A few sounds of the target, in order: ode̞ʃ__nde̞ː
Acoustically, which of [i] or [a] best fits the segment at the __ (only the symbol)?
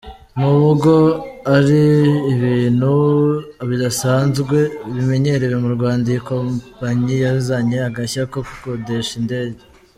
i